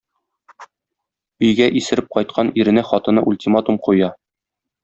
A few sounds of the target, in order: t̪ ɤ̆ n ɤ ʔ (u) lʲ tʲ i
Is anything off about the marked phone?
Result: no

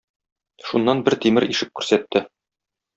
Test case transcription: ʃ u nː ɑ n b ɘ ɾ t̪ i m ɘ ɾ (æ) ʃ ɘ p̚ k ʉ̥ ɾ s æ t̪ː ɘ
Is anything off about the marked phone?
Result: yes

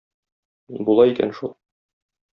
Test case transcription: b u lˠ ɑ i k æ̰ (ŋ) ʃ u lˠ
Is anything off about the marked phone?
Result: yes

